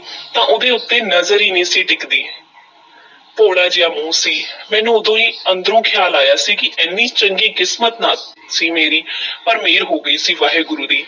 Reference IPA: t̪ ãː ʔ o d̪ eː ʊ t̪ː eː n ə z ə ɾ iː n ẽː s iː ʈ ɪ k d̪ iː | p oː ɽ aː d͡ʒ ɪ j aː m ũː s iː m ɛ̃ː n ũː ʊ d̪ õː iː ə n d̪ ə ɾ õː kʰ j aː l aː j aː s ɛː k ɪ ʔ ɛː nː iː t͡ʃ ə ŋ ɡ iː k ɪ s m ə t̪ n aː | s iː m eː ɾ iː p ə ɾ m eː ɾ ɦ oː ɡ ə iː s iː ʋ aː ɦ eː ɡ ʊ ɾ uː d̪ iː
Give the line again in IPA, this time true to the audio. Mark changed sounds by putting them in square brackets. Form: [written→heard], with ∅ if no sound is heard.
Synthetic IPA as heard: t̪ ãː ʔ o d̪ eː ʊ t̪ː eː n ə z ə ɾ iː n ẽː s iː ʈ ɪ k d̪ iː | p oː ɽ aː d͡ʒ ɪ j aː m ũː s iː m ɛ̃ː n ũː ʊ d̪ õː iː ə n d̪ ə ɾ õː kʰ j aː l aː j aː s [ɛː→iː] k ɪ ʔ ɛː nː iː t͡ʃ ə ŋ ɡ iː k ɪ s m ə t̪ n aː | s iː m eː ɾ iː p ə ɾ m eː ɾ ɦ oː ɡ ə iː s iː ʋ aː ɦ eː ɡ ʊ ɾ uː d̪ iː